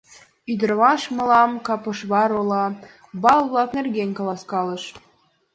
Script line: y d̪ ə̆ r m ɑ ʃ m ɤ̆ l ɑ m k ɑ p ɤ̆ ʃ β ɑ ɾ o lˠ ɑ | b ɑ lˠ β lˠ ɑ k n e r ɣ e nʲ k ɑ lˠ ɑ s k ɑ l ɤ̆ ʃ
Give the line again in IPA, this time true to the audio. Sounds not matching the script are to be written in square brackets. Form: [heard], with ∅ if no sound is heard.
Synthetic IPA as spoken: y d̪ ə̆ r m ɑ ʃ m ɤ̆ l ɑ m k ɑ p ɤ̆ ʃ β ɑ ɾ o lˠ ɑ | b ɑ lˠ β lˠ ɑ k n e r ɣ e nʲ k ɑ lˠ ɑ s k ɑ l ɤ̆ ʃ